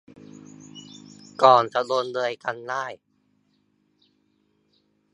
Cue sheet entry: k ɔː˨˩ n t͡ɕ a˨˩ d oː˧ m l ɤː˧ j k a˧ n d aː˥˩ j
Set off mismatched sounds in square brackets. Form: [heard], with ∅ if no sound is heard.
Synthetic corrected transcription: k ɔː˨˩ n t͡ɕ a˨˩ d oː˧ [n] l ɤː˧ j k a˧ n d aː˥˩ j